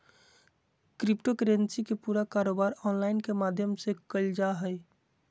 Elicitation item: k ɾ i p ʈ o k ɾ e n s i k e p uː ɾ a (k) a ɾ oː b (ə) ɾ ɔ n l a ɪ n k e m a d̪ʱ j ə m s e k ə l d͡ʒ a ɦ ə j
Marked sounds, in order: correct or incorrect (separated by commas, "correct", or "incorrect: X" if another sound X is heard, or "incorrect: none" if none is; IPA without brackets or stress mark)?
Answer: correct, incorrect: a